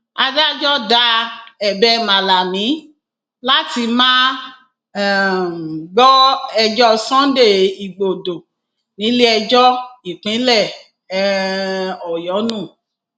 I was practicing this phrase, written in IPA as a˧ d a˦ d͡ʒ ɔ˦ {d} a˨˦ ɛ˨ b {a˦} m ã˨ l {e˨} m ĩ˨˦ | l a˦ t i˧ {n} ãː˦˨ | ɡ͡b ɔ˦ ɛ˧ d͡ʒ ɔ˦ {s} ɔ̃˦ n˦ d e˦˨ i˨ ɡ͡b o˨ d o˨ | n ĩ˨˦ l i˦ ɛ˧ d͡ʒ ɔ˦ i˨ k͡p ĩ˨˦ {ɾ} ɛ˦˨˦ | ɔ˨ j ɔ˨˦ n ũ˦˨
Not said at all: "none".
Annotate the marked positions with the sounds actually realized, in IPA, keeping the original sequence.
d, ɛ˦, a˨, m, s, l

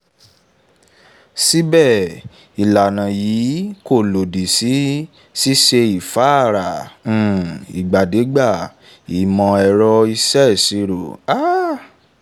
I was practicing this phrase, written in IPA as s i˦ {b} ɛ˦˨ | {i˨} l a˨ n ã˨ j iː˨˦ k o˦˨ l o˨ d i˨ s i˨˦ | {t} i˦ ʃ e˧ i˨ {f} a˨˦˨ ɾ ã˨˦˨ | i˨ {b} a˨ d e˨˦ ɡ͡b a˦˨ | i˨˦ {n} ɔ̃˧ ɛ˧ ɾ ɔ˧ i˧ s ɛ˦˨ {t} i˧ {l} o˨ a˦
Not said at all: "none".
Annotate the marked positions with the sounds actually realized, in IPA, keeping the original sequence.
b, i˨, s, f, ɡ͡b, m, s, ɾ

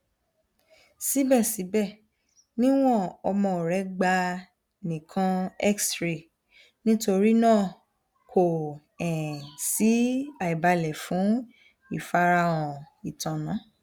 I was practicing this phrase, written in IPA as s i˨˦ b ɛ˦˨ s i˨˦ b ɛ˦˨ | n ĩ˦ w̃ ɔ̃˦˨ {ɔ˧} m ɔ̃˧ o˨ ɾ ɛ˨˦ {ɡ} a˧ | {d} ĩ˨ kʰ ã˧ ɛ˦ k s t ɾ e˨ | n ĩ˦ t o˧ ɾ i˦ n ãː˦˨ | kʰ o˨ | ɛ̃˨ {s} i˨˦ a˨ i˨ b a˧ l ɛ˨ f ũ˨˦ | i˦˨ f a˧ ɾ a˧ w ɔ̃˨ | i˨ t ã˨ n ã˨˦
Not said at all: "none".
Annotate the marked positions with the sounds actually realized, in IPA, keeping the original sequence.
ɔ˧, ɡ͡b, n, s

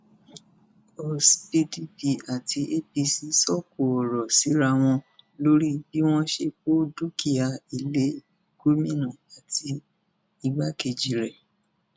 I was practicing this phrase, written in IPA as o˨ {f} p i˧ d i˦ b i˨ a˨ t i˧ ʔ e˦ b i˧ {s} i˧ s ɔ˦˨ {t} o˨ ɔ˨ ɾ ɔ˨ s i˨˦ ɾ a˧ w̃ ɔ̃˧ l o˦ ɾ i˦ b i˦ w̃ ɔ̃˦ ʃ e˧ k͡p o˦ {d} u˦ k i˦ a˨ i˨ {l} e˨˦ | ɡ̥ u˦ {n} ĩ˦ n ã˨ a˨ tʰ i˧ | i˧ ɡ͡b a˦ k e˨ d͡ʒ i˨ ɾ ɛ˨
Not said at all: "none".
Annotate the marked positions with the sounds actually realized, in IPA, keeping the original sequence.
s, s, k, d, l, m

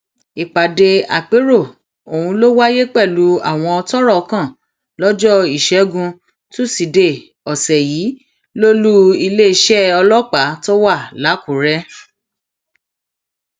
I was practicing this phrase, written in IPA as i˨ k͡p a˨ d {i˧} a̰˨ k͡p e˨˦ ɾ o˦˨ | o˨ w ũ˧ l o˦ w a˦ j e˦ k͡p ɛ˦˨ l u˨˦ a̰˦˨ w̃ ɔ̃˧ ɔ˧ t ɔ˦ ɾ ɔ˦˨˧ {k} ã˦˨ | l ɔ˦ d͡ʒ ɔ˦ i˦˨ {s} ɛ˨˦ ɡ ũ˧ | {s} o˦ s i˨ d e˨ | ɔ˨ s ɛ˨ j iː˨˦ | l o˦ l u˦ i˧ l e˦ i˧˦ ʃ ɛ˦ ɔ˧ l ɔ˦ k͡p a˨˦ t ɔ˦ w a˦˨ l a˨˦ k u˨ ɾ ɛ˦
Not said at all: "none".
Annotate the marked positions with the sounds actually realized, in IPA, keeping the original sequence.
e˧, k, ʃ, t

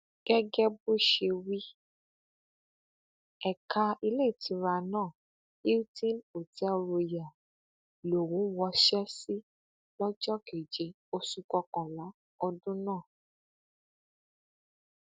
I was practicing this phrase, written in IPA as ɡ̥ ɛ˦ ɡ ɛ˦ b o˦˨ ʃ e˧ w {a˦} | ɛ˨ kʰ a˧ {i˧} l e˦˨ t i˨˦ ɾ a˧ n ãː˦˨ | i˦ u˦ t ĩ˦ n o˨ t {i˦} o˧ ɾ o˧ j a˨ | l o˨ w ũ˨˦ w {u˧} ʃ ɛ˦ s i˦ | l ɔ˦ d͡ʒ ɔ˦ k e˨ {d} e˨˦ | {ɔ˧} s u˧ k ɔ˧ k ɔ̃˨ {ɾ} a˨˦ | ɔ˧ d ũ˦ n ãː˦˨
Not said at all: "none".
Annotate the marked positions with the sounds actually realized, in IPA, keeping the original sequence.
i˦, i˧, ɛ˦, ɔ˧, d͡ʒ, o˧, l

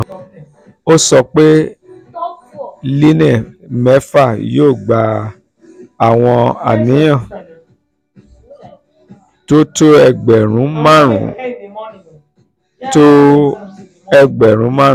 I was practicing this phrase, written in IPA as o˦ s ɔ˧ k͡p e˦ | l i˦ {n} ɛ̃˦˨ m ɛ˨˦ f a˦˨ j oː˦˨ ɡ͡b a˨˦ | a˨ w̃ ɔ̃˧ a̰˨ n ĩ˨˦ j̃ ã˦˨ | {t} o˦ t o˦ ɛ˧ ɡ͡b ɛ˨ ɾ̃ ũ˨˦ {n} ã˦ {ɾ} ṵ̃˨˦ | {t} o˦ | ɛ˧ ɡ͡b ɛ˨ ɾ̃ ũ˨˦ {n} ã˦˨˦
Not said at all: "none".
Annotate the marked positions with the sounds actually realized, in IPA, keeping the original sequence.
n, t, m, ɾ, t, m

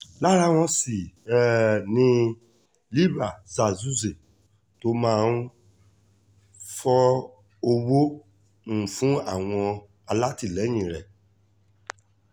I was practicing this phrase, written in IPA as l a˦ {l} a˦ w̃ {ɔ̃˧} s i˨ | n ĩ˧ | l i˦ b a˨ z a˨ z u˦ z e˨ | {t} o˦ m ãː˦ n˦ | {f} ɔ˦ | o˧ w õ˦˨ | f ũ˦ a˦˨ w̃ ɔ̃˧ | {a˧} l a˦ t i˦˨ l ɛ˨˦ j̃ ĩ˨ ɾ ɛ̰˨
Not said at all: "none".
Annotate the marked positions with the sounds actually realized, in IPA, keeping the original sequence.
ɾ, ɔ̃˧, t, f, a˧

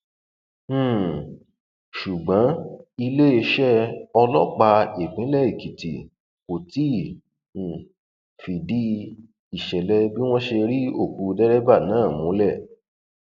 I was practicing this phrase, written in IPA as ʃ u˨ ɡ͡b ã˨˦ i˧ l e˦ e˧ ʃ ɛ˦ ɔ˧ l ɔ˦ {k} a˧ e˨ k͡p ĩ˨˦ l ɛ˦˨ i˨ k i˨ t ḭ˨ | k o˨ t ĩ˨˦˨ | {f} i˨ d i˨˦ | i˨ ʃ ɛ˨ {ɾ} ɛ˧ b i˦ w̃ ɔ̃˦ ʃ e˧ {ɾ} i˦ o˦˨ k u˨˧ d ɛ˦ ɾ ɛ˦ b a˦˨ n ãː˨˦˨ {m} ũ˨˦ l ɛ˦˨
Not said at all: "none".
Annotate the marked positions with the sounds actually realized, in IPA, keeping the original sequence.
k͡p, f, l, ɾ, m

